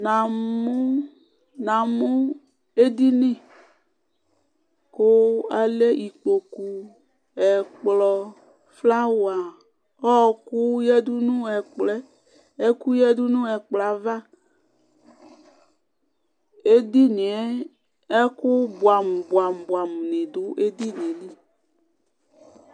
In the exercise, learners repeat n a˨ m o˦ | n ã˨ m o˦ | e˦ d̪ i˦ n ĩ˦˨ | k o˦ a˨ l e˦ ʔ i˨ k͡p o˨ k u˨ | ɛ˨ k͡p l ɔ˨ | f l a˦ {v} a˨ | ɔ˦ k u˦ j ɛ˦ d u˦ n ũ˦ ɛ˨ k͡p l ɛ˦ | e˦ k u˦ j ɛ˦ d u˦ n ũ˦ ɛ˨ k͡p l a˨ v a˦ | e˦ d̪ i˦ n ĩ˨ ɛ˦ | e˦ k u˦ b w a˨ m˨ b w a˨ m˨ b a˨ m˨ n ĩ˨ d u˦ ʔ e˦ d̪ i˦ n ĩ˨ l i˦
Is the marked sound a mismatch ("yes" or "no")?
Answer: yes